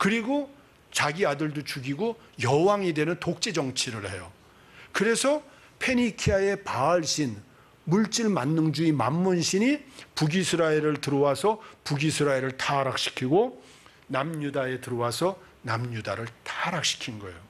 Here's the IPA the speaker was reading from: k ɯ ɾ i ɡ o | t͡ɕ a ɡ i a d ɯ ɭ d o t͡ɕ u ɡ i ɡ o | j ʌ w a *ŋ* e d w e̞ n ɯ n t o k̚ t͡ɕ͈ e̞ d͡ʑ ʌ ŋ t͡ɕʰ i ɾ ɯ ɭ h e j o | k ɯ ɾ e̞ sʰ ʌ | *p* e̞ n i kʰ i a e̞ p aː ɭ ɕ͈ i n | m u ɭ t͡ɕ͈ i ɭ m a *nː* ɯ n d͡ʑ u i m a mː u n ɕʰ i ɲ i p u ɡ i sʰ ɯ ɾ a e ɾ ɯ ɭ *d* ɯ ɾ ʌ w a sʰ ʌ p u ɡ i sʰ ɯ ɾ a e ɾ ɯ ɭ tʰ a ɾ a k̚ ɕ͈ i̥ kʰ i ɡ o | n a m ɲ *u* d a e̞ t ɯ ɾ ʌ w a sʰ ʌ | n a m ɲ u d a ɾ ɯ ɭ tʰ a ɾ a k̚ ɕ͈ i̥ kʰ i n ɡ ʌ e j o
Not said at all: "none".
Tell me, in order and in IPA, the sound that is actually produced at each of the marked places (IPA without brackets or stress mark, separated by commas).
ŋ, pʰ, nː, t, u